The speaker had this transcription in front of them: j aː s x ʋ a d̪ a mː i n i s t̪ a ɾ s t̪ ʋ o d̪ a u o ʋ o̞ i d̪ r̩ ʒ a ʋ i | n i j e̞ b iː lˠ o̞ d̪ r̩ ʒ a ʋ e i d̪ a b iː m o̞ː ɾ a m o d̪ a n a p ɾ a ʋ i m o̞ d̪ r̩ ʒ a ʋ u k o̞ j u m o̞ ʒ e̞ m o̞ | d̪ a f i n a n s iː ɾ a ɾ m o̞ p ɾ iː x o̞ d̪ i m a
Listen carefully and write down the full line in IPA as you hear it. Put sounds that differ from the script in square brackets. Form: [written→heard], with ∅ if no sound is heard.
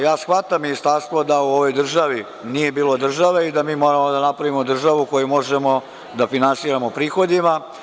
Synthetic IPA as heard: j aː s x ʋ a [d̪→t̪] a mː i n i s t̪ a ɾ s t̪ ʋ o d̪ a u o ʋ o̞ [i→j] d̪ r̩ ʒ a ʋ i | n i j e̞ b iː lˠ o̞ d̪ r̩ ʒ a ʋ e i d̪ a [b→m] iː m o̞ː ɾ a m o d̪ a n a p ɾ a ʋ i m o̞ d̪ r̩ ʒ a ʋ u k o̞ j u m o̞ ʒ e̞ m o̞ | d̪ a f i n a n s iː ɾ a [ɾ→∅] m o̞ p ɾ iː x o̞ d̪ i m a